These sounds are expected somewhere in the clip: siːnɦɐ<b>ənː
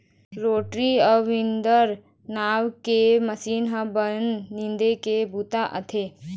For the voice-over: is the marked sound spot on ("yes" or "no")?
yes